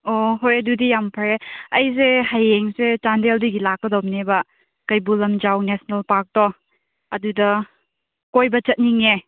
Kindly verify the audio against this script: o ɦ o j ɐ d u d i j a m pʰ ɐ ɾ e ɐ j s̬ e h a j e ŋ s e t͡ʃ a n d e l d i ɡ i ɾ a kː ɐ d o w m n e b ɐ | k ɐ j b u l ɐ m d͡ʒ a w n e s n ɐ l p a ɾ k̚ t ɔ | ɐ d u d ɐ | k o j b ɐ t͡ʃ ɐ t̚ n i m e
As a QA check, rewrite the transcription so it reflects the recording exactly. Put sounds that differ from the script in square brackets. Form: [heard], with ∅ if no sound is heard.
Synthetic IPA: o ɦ o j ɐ d u d i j a m pʰ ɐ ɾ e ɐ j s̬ e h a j e ŋ s e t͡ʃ a n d e l d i ɡ i [l] a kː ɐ d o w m n e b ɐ | k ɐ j b u l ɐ m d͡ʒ a w n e s n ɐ l p a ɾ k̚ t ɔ | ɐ d u d ɐ | k o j b ɐ t͡ʃ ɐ t̚ n i [ŋ] e